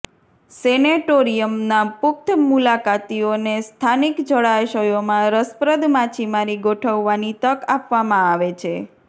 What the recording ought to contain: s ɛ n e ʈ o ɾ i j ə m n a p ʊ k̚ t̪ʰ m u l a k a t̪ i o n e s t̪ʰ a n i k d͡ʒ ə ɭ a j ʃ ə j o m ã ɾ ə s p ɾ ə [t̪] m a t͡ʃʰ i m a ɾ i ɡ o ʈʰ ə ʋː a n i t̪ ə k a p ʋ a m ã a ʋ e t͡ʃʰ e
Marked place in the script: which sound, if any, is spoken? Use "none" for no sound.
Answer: d̪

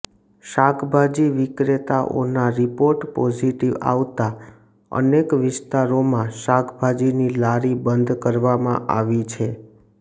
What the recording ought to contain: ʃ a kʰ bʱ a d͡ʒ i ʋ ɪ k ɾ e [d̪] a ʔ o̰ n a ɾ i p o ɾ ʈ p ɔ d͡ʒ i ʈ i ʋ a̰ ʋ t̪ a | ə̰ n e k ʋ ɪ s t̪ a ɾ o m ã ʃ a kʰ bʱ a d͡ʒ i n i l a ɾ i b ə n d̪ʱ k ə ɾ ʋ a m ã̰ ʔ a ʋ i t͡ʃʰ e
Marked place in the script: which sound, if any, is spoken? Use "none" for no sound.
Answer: t̪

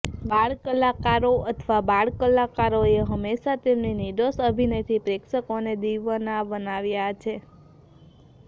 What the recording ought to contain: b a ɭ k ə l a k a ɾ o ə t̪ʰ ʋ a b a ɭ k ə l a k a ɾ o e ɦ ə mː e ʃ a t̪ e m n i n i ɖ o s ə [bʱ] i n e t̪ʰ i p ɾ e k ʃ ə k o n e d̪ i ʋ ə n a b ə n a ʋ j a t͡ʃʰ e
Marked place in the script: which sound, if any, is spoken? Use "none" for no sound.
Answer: bʱ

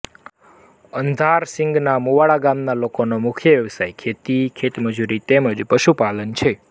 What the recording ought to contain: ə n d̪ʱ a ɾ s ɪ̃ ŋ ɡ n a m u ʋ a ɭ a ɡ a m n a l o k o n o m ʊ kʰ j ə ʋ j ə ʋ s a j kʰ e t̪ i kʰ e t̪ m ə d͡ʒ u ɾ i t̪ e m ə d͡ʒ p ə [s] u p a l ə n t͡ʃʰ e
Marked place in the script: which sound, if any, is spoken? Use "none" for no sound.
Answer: ʃ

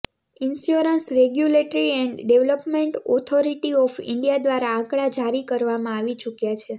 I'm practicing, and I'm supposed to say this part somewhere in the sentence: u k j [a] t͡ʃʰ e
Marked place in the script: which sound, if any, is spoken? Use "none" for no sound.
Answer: a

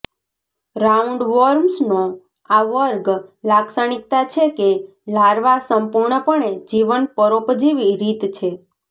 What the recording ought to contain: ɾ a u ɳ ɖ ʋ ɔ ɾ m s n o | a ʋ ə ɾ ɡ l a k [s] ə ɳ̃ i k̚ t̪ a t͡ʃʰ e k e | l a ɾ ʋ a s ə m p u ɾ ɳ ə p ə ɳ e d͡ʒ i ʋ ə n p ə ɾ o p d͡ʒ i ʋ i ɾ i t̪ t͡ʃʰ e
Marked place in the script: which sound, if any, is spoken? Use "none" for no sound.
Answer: s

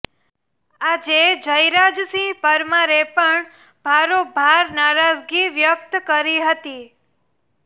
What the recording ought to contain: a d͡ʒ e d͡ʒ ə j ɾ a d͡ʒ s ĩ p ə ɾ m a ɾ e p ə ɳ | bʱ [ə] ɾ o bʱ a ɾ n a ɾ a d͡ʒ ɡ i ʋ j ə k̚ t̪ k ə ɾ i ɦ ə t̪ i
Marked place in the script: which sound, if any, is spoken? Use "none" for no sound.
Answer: a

